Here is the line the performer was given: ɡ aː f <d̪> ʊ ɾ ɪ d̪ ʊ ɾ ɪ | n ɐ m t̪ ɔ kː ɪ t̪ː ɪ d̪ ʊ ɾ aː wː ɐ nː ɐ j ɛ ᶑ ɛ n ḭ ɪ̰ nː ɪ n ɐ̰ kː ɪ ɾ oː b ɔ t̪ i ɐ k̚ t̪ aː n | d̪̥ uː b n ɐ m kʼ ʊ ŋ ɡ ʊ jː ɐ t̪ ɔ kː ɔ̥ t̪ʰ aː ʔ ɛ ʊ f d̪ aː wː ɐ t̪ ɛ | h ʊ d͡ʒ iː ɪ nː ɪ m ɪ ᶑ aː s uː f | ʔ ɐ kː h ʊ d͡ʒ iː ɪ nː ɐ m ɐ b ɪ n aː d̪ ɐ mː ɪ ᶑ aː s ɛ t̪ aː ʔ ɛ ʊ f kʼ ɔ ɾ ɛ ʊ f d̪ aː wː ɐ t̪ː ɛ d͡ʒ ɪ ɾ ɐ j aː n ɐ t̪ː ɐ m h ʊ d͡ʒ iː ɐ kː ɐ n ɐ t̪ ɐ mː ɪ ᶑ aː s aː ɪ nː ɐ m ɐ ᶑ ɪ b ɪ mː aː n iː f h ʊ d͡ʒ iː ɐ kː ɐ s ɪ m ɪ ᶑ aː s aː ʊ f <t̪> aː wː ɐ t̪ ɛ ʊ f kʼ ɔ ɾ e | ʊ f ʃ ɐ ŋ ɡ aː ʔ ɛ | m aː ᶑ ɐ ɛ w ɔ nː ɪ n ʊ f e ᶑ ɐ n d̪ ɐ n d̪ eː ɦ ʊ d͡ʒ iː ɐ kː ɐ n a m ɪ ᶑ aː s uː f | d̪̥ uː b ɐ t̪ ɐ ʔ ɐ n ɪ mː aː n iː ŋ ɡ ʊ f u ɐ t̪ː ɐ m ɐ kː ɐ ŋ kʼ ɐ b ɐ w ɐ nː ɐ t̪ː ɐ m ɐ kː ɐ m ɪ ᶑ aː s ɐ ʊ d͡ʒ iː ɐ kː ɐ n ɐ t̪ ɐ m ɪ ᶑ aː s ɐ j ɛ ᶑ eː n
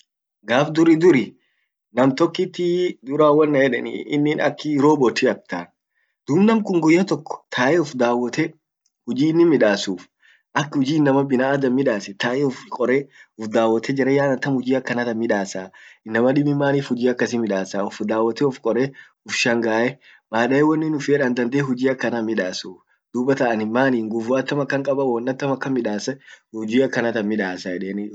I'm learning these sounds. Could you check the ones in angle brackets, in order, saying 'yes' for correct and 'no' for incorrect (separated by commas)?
yes, no